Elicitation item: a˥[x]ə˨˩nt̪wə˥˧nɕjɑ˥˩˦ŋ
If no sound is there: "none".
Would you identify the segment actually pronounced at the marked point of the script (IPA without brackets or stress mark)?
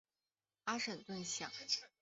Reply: ʂ